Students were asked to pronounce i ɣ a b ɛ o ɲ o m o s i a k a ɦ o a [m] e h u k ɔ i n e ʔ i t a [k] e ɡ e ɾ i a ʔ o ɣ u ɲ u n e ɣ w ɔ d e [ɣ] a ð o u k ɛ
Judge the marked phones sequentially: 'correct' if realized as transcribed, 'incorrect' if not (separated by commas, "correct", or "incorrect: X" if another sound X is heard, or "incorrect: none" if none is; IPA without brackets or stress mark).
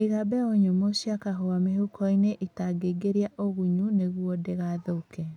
correct, incorrect: ɡ, correct